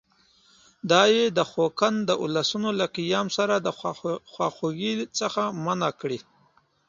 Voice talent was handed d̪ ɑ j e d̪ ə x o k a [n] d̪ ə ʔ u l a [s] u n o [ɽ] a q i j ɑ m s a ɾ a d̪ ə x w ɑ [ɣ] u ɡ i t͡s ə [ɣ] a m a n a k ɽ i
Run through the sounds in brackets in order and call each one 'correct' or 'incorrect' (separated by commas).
correct, correct, incorrect, incorrect, incorrect